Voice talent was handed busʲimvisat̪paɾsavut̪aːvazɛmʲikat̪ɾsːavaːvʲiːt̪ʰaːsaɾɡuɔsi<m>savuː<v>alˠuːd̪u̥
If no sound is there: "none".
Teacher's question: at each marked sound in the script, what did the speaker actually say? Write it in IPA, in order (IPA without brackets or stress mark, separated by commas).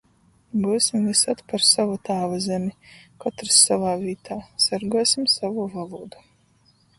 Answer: m, v